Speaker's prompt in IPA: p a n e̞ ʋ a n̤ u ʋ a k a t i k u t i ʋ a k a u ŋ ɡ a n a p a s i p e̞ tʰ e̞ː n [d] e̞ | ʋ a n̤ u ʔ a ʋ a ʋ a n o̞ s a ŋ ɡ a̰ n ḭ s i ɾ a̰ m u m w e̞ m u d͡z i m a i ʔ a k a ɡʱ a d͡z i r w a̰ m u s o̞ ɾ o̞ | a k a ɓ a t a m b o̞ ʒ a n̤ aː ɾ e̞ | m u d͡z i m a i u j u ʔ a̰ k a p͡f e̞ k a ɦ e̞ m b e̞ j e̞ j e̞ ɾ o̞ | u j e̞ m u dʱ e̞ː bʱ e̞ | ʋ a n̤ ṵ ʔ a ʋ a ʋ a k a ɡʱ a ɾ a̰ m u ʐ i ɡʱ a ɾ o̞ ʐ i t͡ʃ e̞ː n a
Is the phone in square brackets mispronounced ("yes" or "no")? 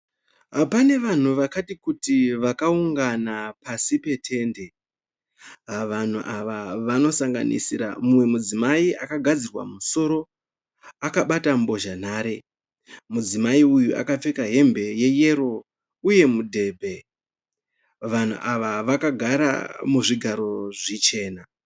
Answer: no